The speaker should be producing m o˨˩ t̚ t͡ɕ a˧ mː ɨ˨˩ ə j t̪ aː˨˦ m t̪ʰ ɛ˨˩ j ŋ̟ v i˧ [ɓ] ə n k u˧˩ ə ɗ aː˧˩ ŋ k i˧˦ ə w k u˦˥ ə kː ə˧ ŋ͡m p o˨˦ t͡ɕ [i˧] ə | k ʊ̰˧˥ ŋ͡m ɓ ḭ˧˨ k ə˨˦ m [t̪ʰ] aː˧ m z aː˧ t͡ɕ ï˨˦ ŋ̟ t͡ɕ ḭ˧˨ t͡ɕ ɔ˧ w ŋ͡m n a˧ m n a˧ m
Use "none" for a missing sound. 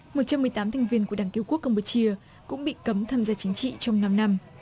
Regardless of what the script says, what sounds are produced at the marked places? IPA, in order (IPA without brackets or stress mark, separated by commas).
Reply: none, i˧, t̪ʰ